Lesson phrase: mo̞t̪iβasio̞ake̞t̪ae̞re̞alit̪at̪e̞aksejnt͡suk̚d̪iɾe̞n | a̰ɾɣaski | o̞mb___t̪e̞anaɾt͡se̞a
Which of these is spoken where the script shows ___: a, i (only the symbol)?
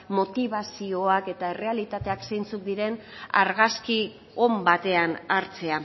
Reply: a